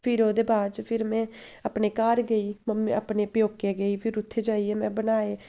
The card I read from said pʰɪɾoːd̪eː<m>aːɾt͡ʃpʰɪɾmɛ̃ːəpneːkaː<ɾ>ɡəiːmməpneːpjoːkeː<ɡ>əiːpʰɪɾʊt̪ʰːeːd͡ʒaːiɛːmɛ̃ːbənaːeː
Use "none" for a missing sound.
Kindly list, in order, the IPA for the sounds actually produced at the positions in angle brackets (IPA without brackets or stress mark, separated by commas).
b, ɾ, ɡ